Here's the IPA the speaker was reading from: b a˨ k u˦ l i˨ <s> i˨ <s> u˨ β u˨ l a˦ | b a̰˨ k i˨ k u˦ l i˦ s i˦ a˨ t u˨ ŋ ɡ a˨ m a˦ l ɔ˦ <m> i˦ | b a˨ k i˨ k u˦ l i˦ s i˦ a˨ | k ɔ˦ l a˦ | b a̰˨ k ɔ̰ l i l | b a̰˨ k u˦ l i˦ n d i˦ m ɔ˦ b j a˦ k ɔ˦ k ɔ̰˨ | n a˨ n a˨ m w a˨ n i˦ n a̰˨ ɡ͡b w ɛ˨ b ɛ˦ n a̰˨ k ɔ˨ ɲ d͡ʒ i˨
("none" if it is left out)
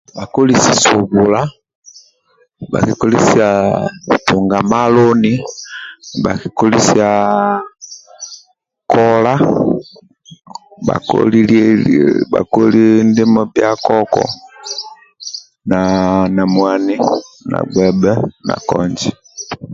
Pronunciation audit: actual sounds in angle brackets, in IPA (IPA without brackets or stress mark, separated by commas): s, s, n